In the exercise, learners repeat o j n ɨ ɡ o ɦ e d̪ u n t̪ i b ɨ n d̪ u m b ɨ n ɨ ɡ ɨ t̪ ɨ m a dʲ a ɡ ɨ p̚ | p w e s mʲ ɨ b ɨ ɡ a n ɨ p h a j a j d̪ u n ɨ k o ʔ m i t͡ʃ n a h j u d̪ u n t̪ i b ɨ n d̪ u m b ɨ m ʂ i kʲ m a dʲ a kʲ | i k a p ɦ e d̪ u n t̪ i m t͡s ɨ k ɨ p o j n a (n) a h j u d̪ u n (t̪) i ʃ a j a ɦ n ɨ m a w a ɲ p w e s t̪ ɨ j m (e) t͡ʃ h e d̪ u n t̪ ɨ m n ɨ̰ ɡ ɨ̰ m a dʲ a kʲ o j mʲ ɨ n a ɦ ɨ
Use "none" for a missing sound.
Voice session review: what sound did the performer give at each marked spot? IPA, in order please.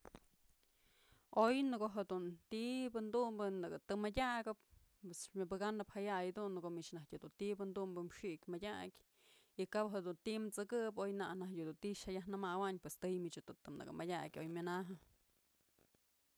n, t̪, i

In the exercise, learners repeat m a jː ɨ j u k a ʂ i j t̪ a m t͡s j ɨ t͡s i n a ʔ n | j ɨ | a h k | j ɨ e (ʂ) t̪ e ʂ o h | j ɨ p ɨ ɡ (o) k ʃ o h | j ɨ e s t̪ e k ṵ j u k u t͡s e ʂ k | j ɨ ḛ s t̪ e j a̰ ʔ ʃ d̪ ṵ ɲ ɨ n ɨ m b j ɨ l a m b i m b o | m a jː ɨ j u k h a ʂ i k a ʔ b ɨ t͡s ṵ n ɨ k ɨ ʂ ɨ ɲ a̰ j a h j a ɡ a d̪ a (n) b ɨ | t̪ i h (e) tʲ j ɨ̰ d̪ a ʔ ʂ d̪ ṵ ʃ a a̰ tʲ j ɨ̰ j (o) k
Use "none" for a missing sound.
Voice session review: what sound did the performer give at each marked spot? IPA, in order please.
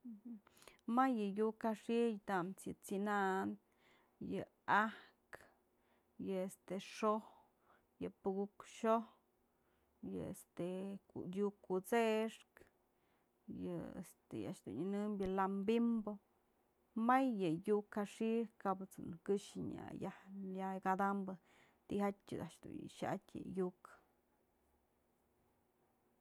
s, u, m, a, u

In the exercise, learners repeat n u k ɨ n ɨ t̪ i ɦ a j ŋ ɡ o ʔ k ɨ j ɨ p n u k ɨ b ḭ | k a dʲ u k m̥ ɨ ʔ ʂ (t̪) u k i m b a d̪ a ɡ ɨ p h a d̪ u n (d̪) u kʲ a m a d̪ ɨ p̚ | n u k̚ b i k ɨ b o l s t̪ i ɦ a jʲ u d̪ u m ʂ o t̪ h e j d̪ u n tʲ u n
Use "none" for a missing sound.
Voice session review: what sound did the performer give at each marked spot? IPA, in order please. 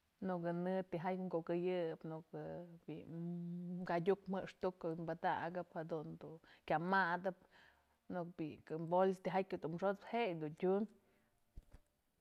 t̪, d̪

